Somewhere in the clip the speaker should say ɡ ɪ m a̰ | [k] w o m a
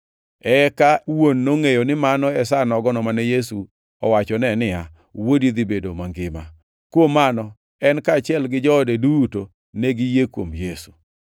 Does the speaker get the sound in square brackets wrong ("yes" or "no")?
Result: no